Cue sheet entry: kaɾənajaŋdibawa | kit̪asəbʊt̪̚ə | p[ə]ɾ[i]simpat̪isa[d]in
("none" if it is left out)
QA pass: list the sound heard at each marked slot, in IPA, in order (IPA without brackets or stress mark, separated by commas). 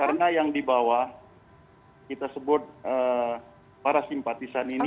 a, a, n